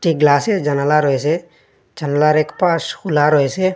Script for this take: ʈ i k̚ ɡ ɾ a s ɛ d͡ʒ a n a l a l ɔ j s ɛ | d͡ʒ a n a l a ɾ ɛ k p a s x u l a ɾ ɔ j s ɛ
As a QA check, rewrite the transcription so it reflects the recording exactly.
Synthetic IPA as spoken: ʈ i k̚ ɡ l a s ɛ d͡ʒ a n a l a ɾ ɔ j s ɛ | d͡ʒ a n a l a ɾ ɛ k p a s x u l a ɾ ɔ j s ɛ

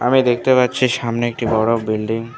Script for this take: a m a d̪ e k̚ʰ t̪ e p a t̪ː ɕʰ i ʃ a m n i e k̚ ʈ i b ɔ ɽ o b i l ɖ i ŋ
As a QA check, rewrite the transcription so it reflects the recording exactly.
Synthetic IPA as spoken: a m i d̪ e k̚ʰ t̪ e p a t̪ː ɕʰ i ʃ a m n e e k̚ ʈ i b ɔ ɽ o b i l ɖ i ŋ

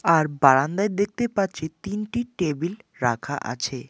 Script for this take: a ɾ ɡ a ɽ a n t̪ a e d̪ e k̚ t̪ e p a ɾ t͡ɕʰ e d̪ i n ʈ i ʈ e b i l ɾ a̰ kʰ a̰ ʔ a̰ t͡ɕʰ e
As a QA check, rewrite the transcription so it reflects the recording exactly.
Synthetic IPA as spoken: a ɾ b a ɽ a n d̪ a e d̪ e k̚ t̪ e p a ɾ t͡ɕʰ e t̪ i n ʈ i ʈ e b i l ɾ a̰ kʰ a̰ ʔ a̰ t͡ɕʰ e

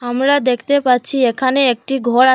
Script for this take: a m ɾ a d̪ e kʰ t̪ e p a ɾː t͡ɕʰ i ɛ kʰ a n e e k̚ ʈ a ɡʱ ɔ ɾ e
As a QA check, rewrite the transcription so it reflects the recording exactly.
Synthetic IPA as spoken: a m ɾ a d̪ e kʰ t̪ e p a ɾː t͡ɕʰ i e kʰ a n e e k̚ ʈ i ɡʱ ɔ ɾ a

